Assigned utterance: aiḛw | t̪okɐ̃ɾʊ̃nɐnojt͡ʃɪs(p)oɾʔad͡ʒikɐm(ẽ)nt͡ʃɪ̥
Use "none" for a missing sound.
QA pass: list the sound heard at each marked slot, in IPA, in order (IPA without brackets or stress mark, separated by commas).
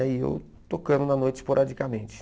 p, ẽ